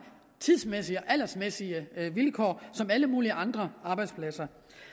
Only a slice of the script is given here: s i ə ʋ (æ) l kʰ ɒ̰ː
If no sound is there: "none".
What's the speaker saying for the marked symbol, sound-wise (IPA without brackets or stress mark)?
i